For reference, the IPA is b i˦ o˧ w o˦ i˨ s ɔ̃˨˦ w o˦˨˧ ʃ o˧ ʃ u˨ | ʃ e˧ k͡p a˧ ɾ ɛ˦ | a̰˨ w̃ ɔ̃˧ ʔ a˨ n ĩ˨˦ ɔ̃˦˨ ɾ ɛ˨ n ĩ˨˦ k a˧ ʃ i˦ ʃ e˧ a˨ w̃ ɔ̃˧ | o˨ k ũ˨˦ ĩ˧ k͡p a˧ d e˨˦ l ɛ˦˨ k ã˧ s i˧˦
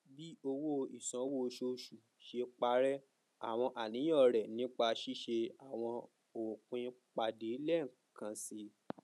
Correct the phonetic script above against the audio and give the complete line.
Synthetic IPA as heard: b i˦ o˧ w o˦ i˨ s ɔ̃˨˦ w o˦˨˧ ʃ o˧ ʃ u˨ | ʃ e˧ k͡p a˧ ɾ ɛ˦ | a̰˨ w̃ ɔ̃˧ ʔ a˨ n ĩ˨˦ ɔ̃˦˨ ɾ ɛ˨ n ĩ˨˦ k͡p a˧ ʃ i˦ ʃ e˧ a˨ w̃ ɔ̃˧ | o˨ k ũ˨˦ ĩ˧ k͡p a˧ d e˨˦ l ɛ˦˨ k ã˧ s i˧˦